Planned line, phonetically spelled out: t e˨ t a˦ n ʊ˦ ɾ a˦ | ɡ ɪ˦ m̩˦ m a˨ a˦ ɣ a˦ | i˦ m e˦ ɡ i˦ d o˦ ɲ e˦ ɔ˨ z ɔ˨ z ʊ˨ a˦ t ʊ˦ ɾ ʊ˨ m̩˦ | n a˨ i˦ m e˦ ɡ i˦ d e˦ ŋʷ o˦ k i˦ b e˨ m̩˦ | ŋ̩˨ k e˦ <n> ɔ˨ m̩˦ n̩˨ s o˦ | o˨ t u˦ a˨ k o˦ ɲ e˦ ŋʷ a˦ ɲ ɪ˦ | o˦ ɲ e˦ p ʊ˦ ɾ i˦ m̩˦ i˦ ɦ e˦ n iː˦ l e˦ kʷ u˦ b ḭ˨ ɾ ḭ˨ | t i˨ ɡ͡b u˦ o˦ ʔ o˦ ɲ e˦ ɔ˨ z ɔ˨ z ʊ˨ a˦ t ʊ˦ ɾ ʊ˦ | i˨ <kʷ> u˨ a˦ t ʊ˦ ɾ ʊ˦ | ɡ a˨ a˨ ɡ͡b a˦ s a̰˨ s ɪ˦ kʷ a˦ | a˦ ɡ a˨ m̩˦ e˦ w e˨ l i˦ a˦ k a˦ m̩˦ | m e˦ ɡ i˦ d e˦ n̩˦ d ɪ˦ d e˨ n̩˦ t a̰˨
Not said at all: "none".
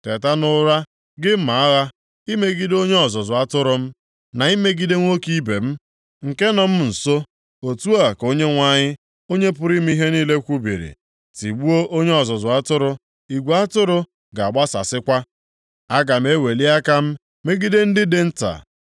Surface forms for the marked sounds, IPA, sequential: n, ɡʷ

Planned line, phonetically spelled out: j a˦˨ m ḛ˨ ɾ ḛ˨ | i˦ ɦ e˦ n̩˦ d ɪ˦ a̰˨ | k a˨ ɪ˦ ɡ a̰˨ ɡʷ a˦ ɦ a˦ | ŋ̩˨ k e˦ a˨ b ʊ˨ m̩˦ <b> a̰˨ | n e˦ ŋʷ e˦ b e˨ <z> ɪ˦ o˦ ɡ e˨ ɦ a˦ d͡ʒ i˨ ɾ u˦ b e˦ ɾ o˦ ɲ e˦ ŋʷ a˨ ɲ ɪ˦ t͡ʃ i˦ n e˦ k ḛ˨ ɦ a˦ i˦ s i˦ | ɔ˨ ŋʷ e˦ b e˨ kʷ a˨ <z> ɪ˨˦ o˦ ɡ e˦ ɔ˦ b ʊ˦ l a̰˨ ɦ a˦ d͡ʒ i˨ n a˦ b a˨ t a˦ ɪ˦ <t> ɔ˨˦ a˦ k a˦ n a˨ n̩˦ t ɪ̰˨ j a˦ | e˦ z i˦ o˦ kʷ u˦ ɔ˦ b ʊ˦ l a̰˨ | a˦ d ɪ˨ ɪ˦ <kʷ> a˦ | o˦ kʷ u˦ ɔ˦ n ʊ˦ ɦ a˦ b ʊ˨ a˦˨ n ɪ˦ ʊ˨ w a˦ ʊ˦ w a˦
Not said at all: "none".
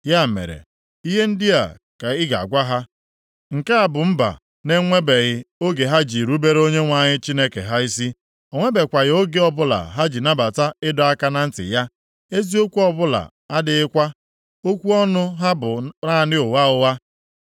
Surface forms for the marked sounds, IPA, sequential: b, ɣ, ɣ, d, kʷ

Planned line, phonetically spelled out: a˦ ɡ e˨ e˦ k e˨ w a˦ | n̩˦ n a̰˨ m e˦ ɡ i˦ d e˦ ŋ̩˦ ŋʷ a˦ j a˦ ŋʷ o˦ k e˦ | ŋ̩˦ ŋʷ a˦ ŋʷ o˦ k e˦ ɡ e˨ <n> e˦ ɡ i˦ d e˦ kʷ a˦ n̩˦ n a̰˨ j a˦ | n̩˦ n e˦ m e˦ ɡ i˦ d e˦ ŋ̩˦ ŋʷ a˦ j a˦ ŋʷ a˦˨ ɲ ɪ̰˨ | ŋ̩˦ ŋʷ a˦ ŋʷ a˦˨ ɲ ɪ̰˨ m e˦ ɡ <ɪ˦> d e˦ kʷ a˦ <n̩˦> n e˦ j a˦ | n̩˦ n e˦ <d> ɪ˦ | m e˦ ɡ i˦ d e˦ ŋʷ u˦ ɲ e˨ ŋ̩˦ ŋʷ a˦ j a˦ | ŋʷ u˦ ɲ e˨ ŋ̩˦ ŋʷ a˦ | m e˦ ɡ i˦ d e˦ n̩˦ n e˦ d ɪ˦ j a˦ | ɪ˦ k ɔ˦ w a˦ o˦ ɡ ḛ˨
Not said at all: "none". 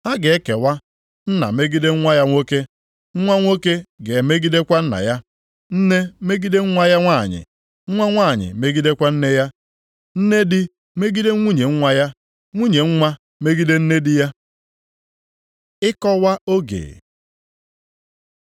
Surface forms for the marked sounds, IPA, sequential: m, i˦, n̩˦, d

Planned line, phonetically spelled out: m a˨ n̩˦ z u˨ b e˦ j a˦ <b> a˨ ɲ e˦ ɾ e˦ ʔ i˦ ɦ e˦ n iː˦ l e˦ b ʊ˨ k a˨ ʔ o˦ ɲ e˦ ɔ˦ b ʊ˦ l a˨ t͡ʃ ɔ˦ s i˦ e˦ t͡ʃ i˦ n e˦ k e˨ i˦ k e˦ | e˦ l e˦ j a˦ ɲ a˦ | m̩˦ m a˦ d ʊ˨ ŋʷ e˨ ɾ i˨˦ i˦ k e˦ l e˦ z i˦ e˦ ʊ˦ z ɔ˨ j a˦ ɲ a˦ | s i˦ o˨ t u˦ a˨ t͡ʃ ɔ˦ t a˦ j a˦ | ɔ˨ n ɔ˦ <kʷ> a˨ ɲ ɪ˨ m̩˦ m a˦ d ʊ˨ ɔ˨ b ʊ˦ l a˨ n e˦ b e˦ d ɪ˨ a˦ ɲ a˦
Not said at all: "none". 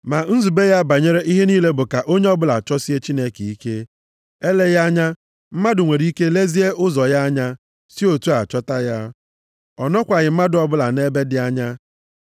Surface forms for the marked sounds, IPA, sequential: b, kʷ

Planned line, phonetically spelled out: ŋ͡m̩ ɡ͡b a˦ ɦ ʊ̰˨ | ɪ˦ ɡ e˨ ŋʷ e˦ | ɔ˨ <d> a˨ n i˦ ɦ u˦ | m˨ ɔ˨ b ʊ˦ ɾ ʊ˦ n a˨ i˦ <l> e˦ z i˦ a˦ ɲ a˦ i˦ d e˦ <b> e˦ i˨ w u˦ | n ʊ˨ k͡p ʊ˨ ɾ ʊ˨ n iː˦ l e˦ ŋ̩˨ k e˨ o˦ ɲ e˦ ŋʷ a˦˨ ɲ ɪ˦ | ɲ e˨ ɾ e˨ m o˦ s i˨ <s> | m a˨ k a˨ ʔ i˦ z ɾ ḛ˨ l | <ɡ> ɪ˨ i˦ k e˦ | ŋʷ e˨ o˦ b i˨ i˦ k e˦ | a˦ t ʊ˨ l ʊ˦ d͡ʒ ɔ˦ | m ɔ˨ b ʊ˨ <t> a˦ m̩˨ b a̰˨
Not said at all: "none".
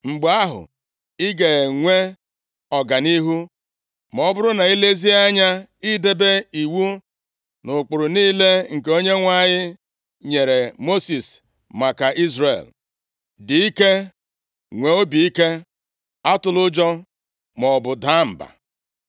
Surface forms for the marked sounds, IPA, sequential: ɡ, l, b, s, d, d

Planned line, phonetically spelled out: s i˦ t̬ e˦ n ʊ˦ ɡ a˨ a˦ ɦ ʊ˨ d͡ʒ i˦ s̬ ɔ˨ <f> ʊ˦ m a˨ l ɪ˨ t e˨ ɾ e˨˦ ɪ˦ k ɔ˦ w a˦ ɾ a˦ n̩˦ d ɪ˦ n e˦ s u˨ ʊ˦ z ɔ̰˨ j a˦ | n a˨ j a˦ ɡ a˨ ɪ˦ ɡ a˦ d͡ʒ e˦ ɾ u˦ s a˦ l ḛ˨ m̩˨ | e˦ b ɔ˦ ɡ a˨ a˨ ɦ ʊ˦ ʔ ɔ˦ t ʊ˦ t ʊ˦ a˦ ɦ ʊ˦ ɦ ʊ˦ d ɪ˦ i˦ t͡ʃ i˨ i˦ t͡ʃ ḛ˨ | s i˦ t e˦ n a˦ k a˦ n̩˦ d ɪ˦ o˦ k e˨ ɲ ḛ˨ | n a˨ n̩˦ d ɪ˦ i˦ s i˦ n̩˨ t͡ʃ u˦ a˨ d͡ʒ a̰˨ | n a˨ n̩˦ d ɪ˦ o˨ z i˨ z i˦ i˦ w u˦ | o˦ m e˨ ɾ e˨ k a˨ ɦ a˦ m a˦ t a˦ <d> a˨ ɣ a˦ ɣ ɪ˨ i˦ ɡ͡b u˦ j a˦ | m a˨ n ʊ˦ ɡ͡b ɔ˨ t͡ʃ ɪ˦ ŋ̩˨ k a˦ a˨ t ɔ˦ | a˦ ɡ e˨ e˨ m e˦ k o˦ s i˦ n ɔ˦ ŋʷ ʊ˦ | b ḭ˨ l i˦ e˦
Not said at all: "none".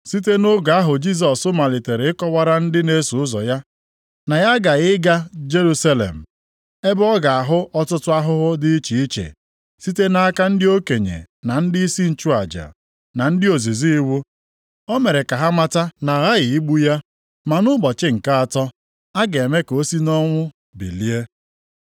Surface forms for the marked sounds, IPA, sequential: s, n

